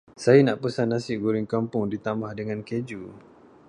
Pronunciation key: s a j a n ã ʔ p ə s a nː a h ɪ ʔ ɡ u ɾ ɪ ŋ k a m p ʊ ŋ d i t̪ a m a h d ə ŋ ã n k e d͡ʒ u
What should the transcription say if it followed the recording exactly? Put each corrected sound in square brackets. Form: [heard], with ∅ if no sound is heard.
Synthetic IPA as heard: s a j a n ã ʔ p ə s a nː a [s] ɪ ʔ ɡ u ɾ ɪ ŋ k a m p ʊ ŋ d i t̪ a m a h d ə ŋ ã n k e d͡ʒ u